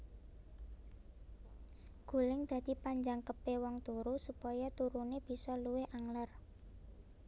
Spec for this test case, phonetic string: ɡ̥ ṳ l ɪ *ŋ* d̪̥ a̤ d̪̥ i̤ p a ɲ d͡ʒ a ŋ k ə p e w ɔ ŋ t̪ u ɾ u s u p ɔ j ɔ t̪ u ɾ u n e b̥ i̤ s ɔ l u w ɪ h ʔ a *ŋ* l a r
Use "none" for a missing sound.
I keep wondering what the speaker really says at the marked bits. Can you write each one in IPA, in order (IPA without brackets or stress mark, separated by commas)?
ŋ, ŋ